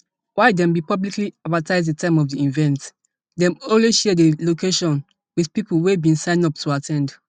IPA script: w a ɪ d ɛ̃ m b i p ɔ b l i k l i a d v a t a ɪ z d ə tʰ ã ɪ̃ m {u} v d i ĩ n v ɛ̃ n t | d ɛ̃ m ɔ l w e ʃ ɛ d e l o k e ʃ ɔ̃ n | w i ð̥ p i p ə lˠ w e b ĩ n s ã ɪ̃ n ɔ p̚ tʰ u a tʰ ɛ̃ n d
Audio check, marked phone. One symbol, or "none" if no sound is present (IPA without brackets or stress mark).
ɔ